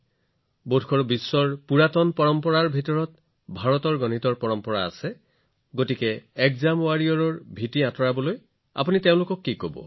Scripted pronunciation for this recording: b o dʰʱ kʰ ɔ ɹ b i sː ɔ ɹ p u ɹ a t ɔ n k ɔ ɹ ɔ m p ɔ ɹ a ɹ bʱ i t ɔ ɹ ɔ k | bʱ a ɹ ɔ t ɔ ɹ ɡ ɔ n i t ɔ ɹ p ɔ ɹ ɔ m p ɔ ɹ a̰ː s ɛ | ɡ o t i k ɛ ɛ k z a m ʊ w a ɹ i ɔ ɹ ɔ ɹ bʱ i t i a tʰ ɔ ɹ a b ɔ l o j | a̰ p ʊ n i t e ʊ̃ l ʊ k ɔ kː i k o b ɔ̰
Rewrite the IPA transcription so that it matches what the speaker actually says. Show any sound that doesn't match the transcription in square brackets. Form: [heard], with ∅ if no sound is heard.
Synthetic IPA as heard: b o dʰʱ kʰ ɔ ɹ b i sː ɔ ɹ p u ɹ a t ɔ n [p] ɔ ɹ ɔ m p ɔ ɹ a ɹ bʱ i t ɔ ɹ ɔ [t] | bʱ a ɹ ɔ t ɔ ɹ ɡ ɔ n i t ɔ ɹ p ɔ ɹ ɔ m p ɔ ɹ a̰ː s ɛ | ɡ o t i k ɛ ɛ k z a m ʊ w a ɹ i ɔ ɹ ɔ ɹ bʱ i t i a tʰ ɔ ɹ a b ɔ l o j | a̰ p [u] n i t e ʊ̃ l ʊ k ɔ kː i k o b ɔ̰